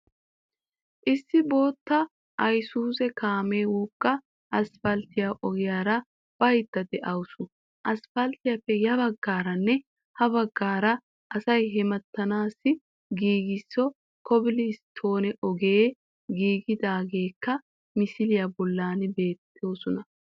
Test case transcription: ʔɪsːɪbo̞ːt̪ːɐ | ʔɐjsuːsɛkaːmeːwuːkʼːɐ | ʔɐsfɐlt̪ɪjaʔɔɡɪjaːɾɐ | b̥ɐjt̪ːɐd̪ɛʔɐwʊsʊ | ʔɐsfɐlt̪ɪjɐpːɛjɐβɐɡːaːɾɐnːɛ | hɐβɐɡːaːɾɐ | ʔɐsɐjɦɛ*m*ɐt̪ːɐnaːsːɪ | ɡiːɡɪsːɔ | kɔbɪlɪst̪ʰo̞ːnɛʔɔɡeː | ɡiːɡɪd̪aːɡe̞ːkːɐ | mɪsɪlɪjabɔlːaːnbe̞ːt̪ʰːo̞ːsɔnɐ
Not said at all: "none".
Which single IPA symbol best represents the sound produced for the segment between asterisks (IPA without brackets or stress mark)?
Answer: m